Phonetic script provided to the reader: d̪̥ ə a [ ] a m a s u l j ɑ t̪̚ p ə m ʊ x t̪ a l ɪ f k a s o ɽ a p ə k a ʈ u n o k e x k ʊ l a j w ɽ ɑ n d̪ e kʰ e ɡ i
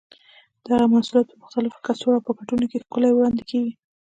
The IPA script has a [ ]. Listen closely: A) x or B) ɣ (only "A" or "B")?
B